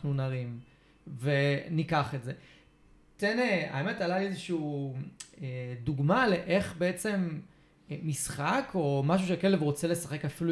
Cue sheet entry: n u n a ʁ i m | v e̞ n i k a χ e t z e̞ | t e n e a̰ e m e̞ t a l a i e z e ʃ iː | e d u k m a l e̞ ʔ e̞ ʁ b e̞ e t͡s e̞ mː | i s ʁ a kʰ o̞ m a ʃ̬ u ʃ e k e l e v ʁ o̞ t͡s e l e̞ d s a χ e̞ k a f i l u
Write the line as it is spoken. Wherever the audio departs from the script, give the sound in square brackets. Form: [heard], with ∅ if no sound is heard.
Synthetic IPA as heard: n u n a ʁ i m | v e̞ n i k a χ e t z e̞ | t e n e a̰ e m e̞ t a l a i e z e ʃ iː | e d u [ɡ] m a l e̞ ʔ e̞ [χ] b e̞ e t͡s e̞ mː | i s [χ] a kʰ o̞ m a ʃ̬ u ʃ e k e l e v ʁ o̞ t͡s e l e̞ [∅] s a χ e̞ k a f i l u